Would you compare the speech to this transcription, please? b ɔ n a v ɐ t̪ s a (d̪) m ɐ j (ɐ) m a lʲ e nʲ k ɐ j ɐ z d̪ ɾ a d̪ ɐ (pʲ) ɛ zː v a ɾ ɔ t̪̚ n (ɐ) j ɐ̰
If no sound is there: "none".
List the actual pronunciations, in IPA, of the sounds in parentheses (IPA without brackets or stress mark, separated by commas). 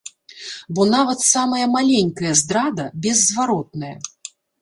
none, ɐ, bʲ, ɐ